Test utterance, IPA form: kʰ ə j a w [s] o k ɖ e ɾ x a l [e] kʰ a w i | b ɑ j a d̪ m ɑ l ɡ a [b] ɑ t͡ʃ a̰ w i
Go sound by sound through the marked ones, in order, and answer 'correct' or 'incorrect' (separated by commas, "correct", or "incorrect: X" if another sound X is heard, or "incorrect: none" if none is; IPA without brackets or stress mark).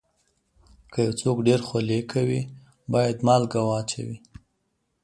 incorrect: t͡s, correct, incorrect: w